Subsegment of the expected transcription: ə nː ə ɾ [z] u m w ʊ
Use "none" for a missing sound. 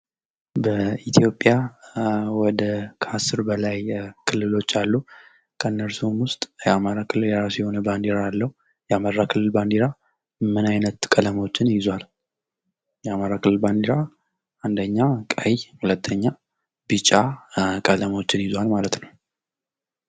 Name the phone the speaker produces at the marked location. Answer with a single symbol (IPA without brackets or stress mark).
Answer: s